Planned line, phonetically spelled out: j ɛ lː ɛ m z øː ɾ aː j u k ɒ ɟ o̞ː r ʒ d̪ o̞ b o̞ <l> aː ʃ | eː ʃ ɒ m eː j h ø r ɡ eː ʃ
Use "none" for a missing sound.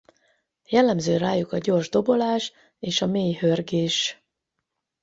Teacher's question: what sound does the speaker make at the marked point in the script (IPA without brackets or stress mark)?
l